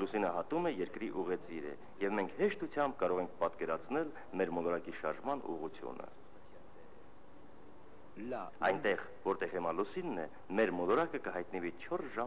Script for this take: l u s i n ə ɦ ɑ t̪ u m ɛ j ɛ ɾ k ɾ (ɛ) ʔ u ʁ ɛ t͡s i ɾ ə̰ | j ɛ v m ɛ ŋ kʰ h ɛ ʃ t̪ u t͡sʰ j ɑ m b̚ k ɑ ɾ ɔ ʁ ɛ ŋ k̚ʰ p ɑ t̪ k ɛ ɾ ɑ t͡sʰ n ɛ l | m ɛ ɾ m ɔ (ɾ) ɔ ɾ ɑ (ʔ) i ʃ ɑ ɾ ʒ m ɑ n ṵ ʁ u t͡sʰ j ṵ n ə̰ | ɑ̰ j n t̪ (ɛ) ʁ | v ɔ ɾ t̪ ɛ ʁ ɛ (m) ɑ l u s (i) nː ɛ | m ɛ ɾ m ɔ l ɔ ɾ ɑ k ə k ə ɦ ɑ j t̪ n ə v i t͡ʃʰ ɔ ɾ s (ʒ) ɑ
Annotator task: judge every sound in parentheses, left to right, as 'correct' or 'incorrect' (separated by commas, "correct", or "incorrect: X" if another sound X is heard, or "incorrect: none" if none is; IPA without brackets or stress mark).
incorrect: i, incorrect: l, incorrect: k, correct, correct, correct, correct